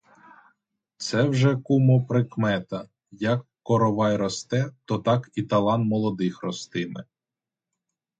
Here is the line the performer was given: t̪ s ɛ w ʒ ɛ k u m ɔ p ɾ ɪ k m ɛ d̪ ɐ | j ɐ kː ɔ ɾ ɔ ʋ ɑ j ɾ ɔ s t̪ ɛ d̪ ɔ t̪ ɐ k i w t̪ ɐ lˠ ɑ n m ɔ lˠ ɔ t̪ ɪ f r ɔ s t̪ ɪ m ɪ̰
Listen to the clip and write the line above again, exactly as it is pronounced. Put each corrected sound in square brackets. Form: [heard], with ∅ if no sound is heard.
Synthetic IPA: t̪ s ɛ w ʒ ɛ k u m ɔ p ɾ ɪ k m ɛ [t̪] ɐ | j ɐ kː ɔ ɾ ɔ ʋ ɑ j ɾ ɔ s t̪ ɛ [t̪] ɔ t̪ [ɑ] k i [∅] t̪ ɐ lˠ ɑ n m ɔ lˠ ɔ [d̪] ɪ [x] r ɔ s t̪ ɪ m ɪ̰